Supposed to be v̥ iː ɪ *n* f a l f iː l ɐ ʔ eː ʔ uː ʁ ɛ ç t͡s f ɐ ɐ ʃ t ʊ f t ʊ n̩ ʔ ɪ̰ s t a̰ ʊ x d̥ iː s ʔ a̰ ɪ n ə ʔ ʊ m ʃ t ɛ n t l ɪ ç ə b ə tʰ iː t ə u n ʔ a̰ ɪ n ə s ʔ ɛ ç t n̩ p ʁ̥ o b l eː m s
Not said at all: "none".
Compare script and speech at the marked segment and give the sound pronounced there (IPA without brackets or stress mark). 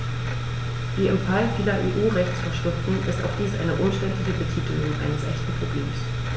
m